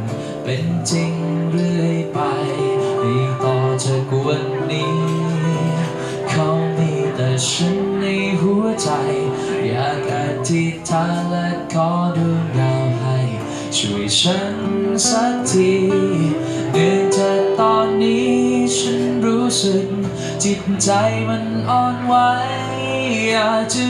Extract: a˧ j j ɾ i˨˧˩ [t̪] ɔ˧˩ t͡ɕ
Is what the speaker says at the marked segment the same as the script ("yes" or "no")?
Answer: yes